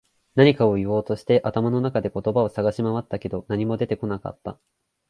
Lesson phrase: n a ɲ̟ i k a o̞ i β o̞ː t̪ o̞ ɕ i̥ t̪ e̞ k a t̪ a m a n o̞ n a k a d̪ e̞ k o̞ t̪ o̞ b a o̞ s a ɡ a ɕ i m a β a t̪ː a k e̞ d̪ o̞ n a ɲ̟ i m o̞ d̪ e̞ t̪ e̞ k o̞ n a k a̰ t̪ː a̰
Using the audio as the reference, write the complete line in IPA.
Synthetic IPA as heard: n a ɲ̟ i k a o̞ i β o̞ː t̪ o̞ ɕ i̥ t̪ e̞ ʔ a t̪ a m a n o̞ n a k a d̪ e̞ k o̞ t̪ o̞ b a o̞ s a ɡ a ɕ i m a β a t̪ː a k e̞ d̪ o̞ n a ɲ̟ i m o̞ d̪ e̞ t̪ e̞ k o̞ n a k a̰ t̪ː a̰